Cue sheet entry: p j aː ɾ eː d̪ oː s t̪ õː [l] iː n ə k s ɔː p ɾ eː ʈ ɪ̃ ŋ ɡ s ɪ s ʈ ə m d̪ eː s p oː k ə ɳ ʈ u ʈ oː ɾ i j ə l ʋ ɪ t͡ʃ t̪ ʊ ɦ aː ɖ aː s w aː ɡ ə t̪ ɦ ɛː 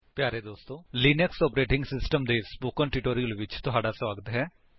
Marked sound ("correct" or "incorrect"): correct